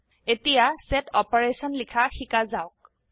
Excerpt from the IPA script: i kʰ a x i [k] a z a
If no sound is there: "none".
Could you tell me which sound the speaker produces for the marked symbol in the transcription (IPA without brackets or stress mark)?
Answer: k